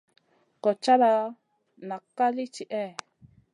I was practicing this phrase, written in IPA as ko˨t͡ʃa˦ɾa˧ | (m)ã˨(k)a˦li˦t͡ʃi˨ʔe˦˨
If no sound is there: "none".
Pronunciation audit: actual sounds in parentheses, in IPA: n, k

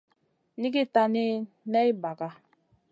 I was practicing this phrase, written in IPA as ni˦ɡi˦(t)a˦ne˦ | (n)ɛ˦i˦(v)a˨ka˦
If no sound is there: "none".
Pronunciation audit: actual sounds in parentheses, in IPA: t, n, b

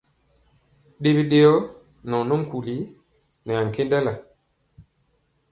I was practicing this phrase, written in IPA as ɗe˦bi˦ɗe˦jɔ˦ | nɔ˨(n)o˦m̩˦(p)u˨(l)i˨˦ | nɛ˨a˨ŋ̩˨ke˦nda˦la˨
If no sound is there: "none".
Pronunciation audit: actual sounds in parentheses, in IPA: n, k, l

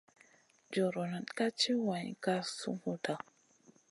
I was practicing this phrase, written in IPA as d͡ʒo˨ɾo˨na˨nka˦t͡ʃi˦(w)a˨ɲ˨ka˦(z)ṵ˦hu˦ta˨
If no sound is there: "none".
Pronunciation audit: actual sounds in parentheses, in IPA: w, s

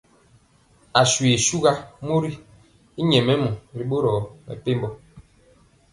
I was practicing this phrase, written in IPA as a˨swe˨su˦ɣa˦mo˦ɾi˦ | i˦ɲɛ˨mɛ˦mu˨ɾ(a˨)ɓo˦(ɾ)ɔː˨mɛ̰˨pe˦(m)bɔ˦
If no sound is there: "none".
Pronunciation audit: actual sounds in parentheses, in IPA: i˨, ɾ, m

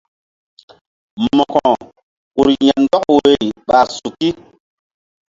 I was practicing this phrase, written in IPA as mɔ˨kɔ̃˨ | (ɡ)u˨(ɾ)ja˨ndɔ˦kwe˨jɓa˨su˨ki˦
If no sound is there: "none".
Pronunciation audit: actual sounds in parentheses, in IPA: k, ɾ

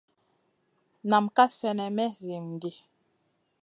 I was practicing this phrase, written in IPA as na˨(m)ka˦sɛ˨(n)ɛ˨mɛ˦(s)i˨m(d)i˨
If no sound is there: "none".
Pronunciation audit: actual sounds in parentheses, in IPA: m, n, z, d

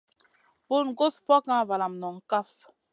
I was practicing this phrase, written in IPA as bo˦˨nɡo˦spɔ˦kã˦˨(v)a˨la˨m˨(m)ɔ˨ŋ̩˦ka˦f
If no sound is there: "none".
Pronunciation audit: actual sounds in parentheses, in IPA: v, n

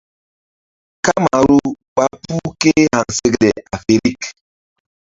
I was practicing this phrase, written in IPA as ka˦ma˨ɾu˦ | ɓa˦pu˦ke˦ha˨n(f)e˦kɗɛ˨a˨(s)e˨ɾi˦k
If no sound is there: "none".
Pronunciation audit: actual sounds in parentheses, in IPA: s, f

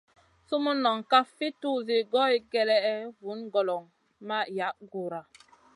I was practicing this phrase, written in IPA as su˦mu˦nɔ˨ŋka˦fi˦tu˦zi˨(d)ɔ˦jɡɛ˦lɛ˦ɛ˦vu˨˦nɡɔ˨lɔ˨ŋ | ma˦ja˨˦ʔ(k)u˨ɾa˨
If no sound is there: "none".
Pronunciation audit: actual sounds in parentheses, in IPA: ɡ, ɡ

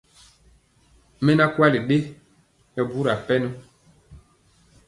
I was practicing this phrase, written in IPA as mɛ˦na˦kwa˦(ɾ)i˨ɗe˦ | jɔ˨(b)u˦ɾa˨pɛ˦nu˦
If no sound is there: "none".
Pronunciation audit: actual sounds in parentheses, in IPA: l, b

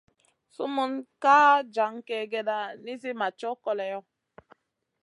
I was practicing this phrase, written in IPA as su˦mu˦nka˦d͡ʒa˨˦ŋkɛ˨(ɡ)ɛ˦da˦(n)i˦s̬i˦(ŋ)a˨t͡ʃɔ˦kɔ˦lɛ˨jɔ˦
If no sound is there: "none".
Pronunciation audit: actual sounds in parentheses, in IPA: ɡ, n, m

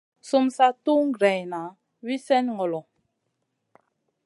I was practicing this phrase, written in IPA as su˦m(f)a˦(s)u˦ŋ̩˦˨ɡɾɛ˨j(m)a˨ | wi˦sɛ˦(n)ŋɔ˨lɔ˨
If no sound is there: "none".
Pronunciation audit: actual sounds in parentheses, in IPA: s, t, n, n

